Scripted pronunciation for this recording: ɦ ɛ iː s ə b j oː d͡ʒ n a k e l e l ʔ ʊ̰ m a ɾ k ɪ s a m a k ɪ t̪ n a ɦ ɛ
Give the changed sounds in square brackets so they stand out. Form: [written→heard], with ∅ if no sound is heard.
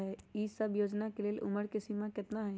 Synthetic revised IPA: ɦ ɛ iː s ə b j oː d͡ʒ n a k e l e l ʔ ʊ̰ m [a→ə] ɾ k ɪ s [a→i] m a k ɪ t̪ n a ɦ ɛ

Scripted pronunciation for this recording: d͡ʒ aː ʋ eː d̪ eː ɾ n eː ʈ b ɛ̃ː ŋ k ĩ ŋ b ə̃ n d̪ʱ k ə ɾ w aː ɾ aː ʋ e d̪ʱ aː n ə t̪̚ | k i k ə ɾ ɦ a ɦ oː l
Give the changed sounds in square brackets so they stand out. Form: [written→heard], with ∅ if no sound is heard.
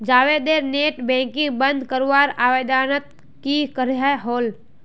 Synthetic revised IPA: d͡ʒ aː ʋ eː d̪ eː ɾ n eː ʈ b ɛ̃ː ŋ k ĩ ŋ b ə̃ n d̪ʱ k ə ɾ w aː ɾ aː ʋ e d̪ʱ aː n ə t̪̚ | k i k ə ɾ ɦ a ɦ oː l

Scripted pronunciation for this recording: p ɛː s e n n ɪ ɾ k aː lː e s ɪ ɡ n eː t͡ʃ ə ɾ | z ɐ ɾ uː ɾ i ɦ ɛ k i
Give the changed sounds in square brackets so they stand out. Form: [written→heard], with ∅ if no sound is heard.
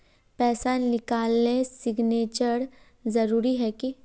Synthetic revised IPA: p ɛː s [e→a] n n ɪ [ɾ→∅] k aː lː e s ɪ ɡ n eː t͡ʃ ə ɾ | z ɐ ɾ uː ɾ i ɦ ɛ k i

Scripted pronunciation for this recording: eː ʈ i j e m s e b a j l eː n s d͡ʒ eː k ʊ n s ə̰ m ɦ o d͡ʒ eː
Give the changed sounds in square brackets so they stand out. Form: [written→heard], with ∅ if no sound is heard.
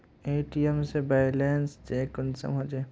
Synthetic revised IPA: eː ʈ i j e m s e b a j l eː n s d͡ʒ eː k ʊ n s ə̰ m ɦ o d͡ʒ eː

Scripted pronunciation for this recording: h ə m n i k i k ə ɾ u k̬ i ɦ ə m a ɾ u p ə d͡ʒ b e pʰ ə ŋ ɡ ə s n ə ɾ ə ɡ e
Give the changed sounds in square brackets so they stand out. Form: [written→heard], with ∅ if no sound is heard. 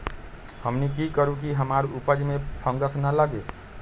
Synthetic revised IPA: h ə m n i k i k ə ɾ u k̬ i ɦ ə m a ɾ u p ə d͡ʒ [b→m] e pʰ ə ŋ ɡ ə s n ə [ɾ→l] ə ɡ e

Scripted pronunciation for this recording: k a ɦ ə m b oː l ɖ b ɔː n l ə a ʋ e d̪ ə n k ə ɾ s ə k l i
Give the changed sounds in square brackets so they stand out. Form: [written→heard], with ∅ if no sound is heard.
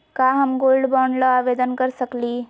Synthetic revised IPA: k a ɦ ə m [b→ɡ] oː l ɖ b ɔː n l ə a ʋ e d̪ ə n k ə ɾ s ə k l i

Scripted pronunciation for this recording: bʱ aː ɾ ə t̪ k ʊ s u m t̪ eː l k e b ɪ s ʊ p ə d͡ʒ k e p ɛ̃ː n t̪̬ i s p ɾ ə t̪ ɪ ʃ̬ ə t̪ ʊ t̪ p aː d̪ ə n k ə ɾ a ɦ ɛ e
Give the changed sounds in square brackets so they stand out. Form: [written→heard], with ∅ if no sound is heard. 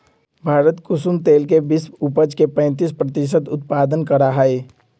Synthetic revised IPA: bʱ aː ɾ ə t̪ k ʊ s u m t̪ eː l k e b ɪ s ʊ p ə d͡ʒ k e p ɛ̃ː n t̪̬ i s p ɾ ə t̪ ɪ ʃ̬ ə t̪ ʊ t̪ p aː d̪ ə n k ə ɾ a ɦ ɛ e

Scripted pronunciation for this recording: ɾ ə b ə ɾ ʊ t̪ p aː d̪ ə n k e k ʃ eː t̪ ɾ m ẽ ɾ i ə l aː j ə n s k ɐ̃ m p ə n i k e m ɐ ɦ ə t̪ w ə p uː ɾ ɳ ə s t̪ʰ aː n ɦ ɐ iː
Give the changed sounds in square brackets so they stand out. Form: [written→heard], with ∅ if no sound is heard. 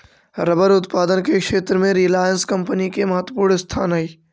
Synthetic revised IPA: ɾ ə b ə ɾ ʊ t̪ p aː d̪ ə n k e k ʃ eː t̪ ɾ m ẽ ɾ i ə l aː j ə n s k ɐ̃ m p ə n i k e m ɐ ɦ ə t̪ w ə p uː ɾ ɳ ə s t̪ʰ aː n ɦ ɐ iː

